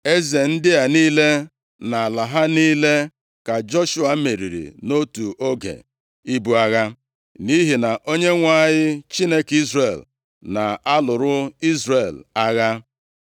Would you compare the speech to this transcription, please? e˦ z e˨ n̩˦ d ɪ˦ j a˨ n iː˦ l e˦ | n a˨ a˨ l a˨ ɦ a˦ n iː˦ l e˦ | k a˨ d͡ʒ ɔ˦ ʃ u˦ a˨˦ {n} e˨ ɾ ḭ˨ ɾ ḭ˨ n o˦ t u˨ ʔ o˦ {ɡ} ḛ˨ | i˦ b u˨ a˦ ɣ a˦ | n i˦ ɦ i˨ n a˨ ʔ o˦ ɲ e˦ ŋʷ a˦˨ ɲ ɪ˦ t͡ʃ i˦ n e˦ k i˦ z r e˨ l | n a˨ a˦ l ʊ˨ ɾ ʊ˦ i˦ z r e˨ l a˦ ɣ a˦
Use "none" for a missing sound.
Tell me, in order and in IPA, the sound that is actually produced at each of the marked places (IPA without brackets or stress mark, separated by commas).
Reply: m, ɡ